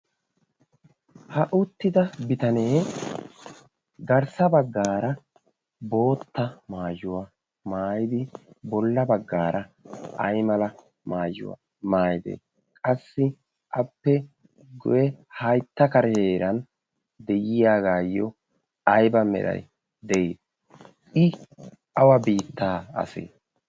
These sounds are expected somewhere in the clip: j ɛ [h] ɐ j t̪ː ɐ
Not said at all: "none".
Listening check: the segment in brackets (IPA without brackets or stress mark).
h